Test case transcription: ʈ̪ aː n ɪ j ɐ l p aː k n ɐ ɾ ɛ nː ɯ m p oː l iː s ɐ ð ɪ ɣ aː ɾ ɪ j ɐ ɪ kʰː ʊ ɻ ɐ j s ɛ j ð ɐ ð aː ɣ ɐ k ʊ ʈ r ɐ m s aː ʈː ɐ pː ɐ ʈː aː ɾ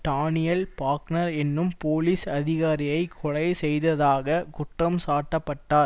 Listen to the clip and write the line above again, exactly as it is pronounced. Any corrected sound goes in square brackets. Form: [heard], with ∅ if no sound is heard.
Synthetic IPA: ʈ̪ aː n ɪ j ɐ l p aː k n ɐ ɾ ɛ nː ɯ m p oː l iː s ɐ ð ɪ ɣ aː ɾ ɪ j ɐ ɪ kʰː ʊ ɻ ɐ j s ɛ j ð ɐ ð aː ɣ ɐ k ʊ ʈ r ɐ m s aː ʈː ɐ pː ɐ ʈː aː ɾ